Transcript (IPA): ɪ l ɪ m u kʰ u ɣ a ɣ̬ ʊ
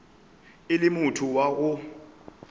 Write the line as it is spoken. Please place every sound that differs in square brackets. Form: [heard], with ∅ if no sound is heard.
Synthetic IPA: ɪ l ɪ m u [tʰ] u [w] a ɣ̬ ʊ